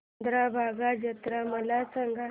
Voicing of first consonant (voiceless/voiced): voiced